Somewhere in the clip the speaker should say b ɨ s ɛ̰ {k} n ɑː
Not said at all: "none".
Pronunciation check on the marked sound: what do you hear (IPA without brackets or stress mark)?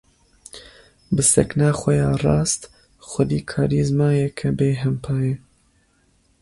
k